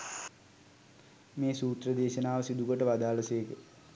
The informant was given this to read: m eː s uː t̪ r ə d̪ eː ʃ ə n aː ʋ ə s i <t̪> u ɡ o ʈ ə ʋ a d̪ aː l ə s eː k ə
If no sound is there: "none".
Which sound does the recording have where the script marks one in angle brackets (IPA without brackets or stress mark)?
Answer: d̪